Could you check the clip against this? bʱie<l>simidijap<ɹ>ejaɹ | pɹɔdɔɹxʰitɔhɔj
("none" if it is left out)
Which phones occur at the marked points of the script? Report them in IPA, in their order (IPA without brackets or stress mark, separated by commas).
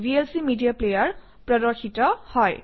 l, l